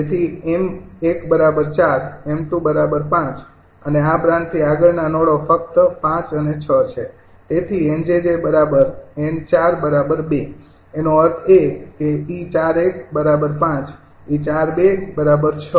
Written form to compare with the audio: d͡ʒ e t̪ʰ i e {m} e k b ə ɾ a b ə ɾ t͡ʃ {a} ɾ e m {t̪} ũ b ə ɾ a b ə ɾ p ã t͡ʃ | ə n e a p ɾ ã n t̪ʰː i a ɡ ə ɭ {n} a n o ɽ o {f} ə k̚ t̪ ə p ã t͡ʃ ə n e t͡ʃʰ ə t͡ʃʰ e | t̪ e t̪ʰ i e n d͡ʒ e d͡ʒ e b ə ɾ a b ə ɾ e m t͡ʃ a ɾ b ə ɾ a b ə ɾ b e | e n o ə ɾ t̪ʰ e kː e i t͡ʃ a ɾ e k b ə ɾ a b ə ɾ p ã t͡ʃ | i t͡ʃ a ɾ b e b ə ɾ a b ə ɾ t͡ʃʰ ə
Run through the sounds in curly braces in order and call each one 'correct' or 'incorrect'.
correct, correct, correct, correct, correct

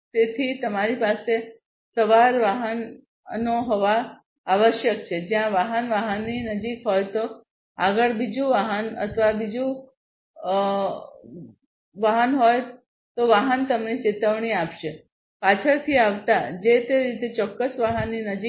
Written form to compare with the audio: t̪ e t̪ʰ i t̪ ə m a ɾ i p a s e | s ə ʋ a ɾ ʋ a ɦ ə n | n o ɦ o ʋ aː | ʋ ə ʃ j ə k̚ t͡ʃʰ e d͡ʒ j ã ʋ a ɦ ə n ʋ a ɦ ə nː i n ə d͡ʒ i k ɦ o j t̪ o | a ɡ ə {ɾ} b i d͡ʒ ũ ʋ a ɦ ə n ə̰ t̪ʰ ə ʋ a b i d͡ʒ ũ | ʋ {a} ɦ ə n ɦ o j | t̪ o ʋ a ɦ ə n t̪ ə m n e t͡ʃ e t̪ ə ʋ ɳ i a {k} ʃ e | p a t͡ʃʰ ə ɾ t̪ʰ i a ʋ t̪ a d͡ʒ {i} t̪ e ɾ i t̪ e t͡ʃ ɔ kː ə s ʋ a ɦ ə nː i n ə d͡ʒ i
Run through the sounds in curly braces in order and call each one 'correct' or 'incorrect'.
incorrect: ɭ, correct, incorrect: p, incorrect: e

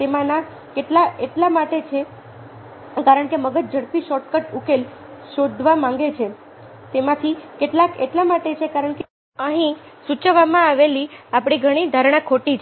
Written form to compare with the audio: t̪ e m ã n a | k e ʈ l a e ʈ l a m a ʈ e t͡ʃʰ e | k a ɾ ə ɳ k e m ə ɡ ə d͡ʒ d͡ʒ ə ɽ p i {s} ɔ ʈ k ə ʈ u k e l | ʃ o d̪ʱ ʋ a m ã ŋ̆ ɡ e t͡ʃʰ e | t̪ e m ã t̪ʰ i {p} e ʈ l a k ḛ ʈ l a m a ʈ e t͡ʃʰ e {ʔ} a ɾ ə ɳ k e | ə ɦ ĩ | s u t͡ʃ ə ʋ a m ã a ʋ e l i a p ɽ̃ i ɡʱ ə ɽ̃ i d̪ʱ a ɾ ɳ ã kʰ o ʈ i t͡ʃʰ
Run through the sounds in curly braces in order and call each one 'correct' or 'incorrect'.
incorrect: ʃ, incorrect: k, incorrect: k

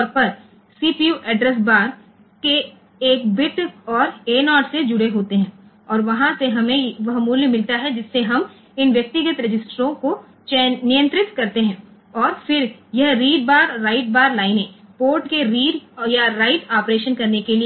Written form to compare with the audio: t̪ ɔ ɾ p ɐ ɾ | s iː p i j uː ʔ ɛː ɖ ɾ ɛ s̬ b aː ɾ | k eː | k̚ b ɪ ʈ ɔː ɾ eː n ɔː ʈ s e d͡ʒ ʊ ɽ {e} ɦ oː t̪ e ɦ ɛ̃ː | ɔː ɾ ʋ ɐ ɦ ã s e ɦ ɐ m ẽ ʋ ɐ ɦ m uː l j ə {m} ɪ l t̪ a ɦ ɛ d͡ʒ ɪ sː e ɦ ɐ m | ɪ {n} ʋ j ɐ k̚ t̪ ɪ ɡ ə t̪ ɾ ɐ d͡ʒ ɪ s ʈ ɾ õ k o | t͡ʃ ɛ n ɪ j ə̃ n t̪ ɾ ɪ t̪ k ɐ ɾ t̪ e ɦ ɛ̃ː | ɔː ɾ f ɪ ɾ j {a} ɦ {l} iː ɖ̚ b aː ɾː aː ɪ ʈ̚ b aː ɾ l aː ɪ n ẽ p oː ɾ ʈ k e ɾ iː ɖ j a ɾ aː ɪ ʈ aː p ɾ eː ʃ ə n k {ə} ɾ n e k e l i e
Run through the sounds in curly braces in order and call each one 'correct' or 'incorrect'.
correct, correct, correct, incorrect: ɐ, incorrect: ɾ, incorrect: ɐ

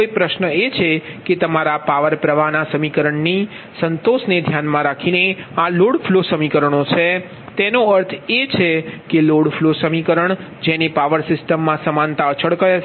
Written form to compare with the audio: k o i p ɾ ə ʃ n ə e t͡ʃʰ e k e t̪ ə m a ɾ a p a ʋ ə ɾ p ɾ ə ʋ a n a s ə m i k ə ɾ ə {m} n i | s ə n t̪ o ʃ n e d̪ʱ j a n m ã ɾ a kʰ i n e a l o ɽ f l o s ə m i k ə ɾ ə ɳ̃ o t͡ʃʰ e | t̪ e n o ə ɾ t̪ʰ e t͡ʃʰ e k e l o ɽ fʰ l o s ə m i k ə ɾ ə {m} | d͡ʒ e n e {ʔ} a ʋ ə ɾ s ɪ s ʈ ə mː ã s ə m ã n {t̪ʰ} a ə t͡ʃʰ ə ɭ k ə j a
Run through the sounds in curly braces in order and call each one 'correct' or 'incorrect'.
incorrect: ɳ, incorrect: ɳ, incorrect: p, incorrect: t̪

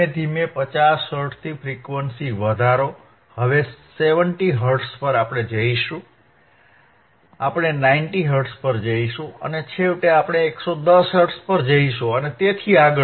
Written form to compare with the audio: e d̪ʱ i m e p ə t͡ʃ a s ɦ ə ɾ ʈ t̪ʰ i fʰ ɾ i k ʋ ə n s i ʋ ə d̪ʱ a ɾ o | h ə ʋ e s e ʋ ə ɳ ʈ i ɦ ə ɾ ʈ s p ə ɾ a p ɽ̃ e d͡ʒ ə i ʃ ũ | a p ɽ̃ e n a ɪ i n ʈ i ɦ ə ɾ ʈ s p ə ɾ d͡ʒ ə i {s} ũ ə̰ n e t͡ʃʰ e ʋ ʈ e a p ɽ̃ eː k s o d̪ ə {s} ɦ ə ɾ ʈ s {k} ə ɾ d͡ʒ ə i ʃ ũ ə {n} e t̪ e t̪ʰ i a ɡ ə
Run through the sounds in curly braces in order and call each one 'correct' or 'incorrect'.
incorrect: ʃ, correct, incorrect: p, correct

